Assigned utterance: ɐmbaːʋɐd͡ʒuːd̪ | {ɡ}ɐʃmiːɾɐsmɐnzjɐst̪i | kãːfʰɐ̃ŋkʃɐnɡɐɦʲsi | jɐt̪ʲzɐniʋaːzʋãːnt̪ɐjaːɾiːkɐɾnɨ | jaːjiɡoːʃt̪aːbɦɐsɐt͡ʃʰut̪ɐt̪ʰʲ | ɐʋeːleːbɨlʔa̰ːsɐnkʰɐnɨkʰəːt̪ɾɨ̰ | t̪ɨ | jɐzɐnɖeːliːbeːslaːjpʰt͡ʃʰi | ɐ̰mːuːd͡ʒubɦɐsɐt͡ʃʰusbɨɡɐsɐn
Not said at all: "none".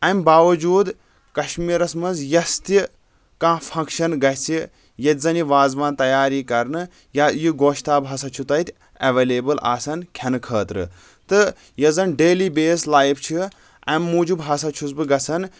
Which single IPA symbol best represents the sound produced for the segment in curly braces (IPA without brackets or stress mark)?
k